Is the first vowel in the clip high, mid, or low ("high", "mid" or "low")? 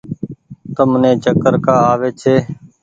mid